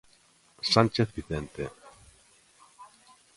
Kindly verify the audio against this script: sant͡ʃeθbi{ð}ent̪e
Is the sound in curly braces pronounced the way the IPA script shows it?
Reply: no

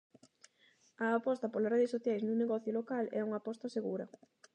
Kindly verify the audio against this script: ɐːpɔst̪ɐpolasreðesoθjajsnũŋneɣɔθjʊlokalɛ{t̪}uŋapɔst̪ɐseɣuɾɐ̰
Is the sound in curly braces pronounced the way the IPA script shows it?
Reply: no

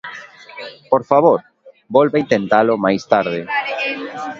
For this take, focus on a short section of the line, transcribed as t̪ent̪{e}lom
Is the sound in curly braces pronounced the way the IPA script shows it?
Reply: no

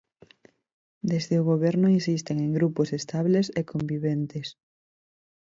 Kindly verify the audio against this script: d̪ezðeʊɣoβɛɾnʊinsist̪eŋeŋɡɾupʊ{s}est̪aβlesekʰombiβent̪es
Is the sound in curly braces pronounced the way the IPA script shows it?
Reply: yes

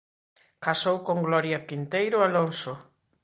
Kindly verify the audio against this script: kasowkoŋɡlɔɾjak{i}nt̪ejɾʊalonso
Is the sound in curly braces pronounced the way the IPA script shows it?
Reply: yes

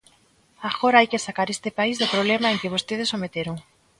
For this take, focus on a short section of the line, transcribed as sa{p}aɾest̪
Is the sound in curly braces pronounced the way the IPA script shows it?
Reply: no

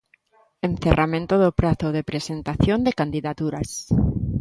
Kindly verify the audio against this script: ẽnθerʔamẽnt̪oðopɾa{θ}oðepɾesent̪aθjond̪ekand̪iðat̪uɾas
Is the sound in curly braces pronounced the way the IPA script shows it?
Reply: yes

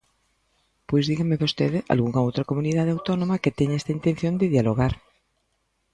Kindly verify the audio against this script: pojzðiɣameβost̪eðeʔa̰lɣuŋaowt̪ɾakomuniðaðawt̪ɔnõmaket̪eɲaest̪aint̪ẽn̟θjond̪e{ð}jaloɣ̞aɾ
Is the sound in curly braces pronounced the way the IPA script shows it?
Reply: yes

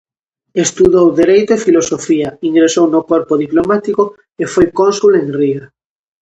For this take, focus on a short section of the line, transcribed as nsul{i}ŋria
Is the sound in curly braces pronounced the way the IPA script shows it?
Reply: no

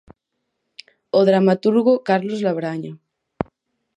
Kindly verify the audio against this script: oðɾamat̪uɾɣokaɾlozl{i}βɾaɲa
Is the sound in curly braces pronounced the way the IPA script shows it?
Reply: no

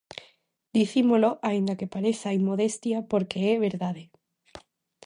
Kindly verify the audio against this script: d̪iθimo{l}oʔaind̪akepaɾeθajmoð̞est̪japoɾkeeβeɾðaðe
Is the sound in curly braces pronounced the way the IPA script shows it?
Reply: yes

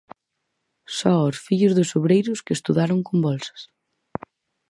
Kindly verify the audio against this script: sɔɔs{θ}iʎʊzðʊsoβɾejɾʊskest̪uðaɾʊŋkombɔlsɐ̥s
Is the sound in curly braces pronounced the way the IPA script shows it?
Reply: no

